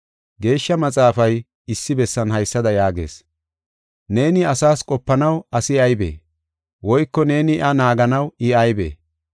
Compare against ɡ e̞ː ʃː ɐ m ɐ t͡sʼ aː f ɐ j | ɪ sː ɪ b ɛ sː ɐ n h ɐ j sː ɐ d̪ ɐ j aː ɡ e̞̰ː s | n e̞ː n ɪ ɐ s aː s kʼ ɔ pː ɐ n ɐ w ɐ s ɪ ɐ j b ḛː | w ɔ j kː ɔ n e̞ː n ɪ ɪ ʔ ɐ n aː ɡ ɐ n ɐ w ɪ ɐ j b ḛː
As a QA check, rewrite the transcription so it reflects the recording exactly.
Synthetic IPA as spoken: ɡ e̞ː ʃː ɐ m ɐ t͡sʼ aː f ɐ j | ɪ sː ɪ b ɛ sː ɐ n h ɐ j sː ɐ d̪ ɐ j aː ɡ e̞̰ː s | n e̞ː n ɪ ɐ s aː s kʼ ɔ pː ɐ n ɐ w ɐ s ɪ ɐ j b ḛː | w ɔ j kː ɔ n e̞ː n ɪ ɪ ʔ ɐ n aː ɡ ɐ n ɐ w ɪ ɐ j b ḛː